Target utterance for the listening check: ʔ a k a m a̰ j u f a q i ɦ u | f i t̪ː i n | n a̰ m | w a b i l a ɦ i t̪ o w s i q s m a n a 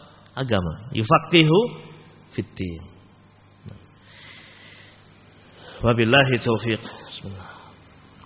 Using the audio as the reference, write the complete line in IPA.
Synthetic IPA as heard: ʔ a ɡ a m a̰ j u f a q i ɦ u | f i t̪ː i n | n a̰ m | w a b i l a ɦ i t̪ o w f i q s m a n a